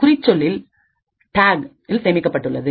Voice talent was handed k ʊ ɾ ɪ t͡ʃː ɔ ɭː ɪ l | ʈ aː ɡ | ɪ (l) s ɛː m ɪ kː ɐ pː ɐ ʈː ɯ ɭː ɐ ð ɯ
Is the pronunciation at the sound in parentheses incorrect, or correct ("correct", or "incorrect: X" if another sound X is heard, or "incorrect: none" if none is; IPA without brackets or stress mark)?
correct